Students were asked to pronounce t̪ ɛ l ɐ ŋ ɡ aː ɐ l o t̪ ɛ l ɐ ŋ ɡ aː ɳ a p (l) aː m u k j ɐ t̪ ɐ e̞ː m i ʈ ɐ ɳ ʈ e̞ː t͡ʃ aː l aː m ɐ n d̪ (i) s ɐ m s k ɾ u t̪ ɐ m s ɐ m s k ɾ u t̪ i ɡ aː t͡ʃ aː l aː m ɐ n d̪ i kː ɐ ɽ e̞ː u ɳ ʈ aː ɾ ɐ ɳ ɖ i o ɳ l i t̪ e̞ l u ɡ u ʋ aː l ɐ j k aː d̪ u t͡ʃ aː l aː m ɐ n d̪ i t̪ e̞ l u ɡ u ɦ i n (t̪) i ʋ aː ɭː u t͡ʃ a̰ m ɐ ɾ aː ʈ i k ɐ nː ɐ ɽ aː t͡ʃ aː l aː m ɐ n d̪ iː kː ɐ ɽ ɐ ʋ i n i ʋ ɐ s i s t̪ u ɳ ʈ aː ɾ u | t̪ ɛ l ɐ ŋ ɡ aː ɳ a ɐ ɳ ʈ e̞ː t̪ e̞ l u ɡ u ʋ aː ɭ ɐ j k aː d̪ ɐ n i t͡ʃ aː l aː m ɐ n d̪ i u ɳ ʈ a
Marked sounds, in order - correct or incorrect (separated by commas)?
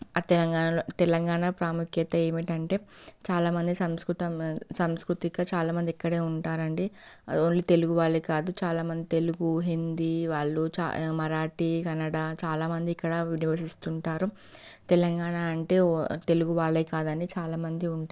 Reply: incorrect, correct, incorrect